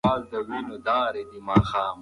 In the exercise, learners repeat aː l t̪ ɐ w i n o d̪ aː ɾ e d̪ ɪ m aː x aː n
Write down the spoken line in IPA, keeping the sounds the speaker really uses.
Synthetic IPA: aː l d̪ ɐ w i n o d̪ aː ɾ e d̪ i m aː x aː m